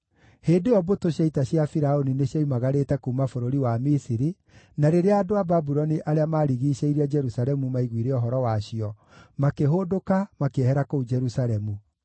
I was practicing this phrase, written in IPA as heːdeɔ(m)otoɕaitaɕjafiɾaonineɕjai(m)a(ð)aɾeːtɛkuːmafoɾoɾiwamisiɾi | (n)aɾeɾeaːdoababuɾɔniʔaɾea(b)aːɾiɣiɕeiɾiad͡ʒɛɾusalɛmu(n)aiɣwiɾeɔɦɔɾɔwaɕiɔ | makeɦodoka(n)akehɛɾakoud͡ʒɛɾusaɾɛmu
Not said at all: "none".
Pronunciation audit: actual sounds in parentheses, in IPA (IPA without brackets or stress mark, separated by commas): b, m, ɣ, n, m, m, m